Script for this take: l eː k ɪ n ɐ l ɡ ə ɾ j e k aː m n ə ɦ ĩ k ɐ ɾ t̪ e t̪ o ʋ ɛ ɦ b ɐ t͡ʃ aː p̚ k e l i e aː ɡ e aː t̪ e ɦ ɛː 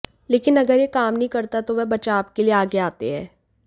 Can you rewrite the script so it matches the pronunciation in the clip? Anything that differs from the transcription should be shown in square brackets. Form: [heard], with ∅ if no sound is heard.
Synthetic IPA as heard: l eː k ɪ n ɐ [∅] ɡ ə ɾ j e k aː m n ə ɦ ĩ k ɐ ɾ t̪ [a] t̪ o ʋ ɛ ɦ b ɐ t͡ʃ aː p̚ k e l i e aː ɡ e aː t̪ e ɦ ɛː